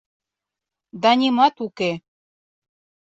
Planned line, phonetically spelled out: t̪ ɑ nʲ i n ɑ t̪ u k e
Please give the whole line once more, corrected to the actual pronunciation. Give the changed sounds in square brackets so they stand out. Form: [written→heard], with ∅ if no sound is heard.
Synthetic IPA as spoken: [t̪→d̪] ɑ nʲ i [n→m] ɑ t̪ u k e